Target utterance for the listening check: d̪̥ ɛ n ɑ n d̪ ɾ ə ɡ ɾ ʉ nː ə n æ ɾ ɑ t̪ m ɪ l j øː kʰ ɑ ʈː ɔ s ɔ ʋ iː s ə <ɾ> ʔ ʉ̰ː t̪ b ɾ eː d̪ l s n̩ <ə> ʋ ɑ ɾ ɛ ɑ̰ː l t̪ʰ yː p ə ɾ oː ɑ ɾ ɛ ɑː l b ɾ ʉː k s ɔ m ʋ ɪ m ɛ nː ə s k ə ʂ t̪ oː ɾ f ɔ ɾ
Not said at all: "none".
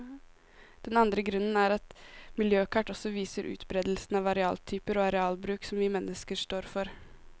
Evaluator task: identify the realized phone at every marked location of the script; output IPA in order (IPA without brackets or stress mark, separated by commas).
ɾ, ɑ